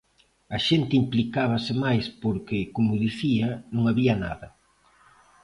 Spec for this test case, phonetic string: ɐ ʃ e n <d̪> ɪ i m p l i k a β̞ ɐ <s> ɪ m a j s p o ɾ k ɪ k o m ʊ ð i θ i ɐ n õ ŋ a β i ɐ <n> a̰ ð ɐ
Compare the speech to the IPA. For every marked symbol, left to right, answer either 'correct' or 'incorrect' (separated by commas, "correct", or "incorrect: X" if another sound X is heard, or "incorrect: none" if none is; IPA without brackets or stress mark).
incorrect: t̪, correct, correct